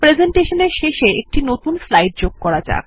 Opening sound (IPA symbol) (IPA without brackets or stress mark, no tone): p